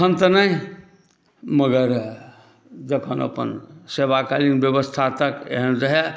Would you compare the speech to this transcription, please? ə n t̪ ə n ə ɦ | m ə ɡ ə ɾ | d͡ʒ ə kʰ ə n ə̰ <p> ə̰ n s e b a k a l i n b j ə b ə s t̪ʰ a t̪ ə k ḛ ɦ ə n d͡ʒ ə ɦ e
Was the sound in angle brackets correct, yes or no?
yes